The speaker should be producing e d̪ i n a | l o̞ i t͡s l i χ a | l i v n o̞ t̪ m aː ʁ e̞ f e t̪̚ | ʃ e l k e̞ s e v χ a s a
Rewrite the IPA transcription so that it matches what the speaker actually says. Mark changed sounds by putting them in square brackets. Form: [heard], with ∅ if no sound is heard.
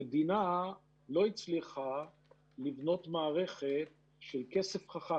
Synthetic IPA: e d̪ i n a | l o̞ i t͡s l i χ a | l i v n o̞ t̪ m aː ʁ e̞ [χ] e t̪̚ | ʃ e l k e̞ s e [f] χ a [χ] a